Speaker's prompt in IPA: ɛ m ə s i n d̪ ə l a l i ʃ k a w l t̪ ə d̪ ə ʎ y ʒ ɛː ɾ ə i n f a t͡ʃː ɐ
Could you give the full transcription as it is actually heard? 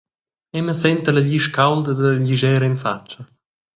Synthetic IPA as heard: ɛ m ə s ɛ n t̪ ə l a ʎ i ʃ k a w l d̪ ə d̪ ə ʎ i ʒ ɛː ɾ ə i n f a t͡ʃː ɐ